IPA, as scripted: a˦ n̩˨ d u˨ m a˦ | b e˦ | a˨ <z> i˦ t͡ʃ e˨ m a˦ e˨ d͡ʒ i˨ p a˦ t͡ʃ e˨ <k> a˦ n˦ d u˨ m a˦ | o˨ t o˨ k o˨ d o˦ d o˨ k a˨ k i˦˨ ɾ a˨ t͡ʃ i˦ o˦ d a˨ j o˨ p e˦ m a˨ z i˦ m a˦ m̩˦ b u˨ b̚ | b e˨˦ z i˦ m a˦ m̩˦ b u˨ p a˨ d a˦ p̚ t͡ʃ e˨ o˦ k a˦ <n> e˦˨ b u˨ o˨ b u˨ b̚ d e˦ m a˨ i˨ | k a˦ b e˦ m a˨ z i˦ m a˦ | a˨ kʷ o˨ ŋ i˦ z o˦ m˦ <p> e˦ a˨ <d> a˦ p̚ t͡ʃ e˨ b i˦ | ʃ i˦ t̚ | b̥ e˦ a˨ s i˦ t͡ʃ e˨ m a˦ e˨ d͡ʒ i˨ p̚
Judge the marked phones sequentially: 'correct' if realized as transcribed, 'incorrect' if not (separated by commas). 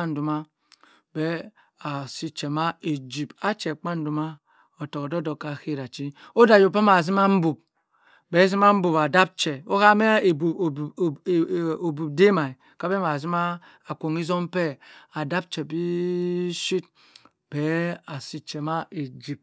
incorrect, incorrect, incorrect, correct, correct